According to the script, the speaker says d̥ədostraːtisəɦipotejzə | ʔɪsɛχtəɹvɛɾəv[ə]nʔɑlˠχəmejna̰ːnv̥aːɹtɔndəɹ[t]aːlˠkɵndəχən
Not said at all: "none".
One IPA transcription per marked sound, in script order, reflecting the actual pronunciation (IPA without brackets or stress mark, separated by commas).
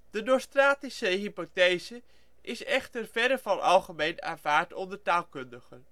ɑ, t